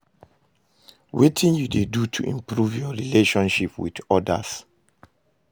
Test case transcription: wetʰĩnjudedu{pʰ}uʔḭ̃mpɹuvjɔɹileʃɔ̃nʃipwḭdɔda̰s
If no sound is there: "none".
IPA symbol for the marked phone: tʰ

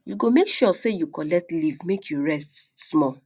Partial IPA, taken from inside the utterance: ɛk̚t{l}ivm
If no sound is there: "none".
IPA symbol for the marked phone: l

